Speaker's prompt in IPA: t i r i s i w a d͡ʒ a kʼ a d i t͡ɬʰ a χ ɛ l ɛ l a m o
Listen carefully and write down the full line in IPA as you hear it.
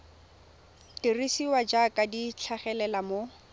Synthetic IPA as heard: t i r i s i w a d͡ʒ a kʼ a d i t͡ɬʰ a χ ɛ l ɛ l a m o